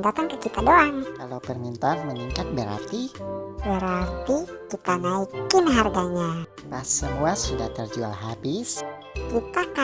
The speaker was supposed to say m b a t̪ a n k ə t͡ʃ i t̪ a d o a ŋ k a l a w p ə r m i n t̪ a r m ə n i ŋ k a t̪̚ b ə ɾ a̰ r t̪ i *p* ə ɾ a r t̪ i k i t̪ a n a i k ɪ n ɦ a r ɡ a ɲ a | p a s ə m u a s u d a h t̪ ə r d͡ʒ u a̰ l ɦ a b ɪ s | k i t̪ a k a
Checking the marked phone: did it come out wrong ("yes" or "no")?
yes